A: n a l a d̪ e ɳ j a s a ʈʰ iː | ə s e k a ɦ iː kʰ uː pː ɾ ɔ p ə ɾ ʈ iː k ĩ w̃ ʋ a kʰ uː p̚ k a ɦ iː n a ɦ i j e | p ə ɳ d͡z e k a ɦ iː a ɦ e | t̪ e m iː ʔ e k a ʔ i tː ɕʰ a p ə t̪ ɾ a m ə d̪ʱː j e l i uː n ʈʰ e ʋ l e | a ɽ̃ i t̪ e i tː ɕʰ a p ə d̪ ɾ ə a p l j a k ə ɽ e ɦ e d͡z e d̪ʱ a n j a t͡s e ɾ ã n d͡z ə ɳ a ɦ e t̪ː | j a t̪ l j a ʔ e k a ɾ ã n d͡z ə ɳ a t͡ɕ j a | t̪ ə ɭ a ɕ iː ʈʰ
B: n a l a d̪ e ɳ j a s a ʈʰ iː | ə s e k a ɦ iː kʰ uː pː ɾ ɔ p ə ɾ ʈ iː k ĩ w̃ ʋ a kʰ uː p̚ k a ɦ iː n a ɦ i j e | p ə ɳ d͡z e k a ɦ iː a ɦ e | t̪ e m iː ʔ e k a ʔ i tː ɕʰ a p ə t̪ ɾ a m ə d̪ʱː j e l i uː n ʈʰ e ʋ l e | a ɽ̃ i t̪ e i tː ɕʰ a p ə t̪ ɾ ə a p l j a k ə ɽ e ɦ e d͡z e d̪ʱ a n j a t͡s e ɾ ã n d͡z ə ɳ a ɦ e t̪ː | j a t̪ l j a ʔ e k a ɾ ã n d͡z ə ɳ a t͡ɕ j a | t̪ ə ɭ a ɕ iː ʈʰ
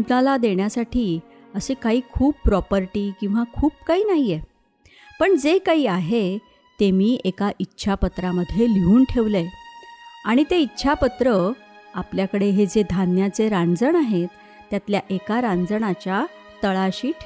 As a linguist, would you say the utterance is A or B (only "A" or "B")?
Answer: B